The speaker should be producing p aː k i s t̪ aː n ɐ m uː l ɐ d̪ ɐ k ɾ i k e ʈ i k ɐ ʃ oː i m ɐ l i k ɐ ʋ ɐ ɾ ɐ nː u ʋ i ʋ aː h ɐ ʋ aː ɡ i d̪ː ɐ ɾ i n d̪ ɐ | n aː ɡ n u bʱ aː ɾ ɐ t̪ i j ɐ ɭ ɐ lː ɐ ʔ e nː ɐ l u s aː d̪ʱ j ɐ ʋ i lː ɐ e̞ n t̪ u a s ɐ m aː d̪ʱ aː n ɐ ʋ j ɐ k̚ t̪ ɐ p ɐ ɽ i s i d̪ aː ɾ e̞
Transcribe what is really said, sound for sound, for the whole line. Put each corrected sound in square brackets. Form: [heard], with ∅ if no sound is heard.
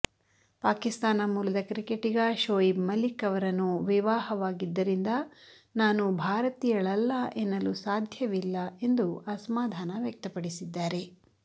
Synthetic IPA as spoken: p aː k i s t̪ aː n ɐ m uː l ɐ d̪ ɐ k ɾ i k e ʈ i [ɡ] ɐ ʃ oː i m ɐ l i k ɐ ʋ ɐ ɾ ɐ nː u ʋ i ʋ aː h ɐ ʋ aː ɡ i d̪ː ɐ ɾ i n d̪ ɐ | n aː [∅] n u bʱ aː ɾ ɐ t̪ i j ɐ ɭ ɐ lː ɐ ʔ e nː ɐ l u s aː d̪ʱ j ɐ ʋ i lː ɐ e̞ n [d̪] u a s ɐ m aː d̪ʱ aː n ɐ ʋ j ɐ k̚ t̪ ɐ p ɐ ɽ i s i [d̪ː] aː ɾ e̞